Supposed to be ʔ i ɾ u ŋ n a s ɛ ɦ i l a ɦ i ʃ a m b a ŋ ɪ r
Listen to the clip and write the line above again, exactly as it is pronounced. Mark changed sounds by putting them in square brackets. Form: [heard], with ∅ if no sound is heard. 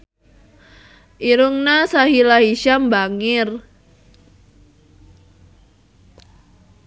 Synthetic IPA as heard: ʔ i ɾ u ŋ n a s [a] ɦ i l a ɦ i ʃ a m b a ŋ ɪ r